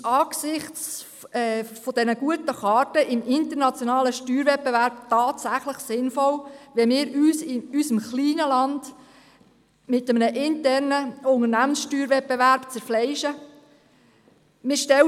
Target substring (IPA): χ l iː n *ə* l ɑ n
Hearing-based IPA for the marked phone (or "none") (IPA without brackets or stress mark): ə